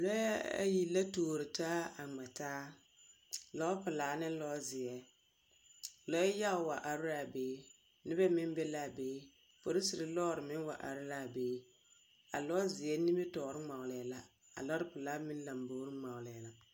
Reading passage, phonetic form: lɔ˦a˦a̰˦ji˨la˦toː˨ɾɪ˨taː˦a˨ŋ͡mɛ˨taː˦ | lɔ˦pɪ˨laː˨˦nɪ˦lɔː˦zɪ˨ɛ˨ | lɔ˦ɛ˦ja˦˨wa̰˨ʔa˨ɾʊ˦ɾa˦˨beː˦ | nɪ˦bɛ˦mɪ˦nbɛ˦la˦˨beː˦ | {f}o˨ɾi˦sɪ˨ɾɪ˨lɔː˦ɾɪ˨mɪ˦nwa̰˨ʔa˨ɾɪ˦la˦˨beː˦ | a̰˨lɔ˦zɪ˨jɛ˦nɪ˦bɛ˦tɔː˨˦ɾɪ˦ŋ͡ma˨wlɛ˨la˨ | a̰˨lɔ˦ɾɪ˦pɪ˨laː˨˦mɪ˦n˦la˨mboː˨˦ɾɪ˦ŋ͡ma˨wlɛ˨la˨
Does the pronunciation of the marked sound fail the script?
no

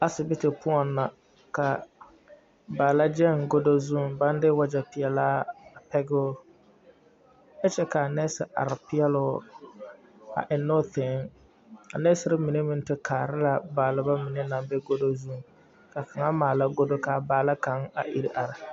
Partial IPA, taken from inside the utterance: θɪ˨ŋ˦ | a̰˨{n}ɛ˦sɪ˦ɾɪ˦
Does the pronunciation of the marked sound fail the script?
no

